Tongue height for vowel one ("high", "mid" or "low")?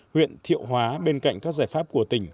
high